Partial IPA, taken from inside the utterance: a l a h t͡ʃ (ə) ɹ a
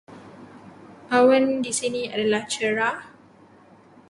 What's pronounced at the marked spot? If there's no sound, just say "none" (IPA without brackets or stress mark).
ə